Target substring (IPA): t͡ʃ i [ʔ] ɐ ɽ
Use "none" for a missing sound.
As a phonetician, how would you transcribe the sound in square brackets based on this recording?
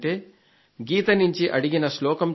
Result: ʔ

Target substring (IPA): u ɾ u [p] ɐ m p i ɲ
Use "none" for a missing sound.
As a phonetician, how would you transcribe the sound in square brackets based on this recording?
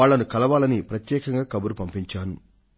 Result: p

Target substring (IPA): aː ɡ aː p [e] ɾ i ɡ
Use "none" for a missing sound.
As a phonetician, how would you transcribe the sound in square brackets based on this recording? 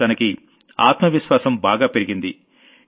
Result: e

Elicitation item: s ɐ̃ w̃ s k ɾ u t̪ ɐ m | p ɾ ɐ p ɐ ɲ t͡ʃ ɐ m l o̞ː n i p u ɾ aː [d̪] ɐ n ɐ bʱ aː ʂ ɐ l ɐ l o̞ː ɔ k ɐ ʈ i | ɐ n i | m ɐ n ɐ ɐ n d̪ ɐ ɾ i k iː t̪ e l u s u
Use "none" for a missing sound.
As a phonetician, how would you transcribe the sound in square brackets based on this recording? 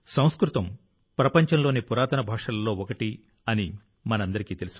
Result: t̪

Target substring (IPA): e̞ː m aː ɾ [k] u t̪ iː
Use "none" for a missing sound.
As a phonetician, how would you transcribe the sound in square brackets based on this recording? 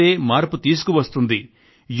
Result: p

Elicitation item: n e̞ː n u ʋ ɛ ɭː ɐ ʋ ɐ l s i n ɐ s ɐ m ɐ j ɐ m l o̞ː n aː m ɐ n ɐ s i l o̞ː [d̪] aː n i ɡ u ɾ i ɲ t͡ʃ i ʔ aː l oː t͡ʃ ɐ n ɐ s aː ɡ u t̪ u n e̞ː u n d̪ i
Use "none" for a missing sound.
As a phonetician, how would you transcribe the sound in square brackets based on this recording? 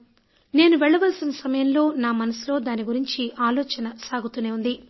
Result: d̪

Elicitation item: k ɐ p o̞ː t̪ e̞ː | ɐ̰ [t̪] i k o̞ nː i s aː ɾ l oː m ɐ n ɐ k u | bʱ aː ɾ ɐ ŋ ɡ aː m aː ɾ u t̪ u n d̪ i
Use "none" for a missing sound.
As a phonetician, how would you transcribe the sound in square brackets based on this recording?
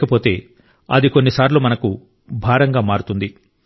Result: d̪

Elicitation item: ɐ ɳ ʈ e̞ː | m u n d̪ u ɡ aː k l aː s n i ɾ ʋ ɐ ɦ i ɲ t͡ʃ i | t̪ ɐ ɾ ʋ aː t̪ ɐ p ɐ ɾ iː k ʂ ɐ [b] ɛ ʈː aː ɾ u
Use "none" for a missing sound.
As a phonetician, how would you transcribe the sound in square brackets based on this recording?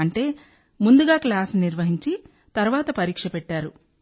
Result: p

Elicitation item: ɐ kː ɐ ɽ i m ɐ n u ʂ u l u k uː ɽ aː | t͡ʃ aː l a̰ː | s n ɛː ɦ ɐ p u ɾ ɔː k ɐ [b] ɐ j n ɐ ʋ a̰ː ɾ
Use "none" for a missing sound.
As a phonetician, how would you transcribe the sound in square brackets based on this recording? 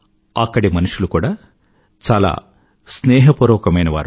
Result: m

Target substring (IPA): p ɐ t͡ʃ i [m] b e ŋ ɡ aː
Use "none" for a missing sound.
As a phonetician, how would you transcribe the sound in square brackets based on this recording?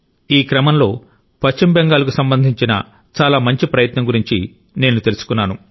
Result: m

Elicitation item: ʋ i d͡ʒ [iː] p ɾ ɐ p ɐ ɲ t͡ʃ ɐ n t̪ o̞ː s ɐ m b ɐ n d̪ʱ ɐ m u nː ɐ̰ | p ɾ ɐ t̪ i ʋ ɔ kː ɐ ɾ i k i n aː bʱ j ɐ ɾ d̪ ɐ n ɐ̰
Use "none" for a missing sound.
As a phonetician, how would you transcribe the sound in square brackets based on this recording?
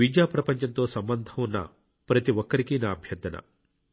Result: aː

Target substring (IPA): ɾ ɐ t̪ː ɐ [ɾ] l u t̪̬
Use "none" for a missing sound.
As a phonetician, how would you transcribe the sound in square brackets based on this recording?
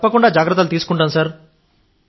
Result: none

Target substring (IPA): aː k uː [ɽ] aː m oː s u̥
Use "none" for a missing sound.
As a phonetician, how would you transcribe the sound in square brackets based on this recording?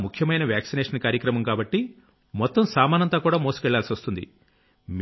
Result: ɽ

